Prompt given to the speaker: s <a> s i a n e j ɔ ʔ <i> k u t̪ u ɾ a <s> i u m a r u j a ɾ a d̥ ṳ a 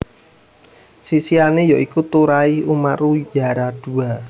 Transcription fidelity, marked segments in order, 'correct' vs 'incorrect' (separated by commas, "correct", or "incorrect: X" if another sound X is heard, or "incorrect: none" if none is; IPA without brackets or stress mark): incorrect: i, correct, incorrect: none